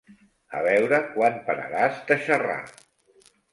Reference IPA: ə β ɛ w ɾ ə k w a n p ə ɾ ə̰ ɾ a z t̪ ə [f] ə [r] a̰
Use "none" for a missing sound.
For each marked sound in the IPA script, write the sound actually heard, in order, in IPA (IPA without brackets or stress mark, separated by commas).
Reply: ʃ, r